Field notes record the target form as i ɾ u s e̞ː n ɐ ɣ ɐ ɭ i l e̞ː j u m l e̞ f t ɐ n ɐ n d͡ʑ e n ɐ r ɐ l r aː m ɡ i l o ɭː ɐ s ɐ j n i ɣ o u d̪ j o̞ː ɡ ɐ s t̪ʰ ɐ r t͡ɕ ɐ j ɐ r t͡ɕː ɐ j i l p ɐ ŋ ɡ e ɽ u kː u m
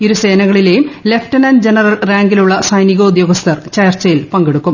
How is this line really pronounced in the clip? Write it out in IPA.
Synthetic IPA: i ɾ u s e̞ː n ɐ ɣ ɐ ɭ i l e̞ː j u m l e̞ f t ɐ n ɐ n d͡ʑ e n ɐ r ɐ l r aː ŋ ɡ i l u ɭː ɐ s ɐ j n i ɣ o u d̪ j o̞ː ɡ ɐ s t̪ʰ ɐ r t͡ɕ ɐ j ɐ r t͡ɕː ɐ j i l p ɐ ŋ ɡ e ɽ u kː u m